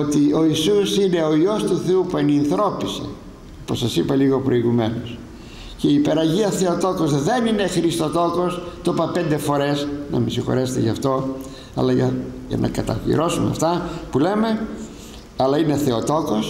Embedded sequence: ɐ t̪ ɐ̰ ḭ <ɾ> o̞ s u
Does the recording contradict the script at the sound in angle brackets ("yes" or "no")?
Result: no